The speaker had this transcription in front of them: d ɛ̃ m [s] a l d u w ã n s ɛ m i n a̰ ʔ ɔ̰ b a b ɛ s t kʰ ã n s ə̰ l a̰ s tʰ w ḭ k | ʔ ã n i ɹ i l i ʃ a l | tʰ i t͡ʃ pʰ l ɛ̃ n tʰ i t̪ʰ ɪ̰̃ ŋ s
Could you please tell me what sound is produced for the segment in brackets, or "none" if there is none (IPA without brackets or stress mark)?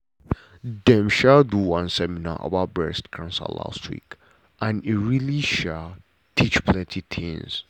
ʃ